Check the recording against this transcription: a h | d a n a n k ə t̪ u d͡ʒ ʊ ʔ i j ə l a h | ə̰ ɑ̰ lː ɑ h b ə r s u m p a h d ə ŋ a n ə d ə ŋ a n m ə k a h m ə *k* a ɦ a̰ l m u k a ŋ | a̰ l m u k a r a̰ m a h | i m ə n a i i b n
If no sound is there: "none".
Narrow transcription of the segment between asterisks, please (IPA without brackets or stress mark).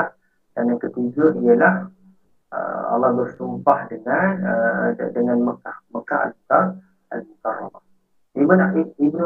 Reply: k